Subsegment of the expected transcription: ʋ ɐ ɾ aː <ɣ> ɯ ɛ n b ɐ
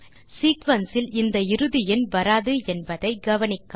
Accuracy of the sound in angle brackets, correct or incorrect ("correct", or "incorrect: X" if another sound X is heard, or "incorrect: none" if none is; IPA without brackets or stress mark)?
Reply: incorrect: ð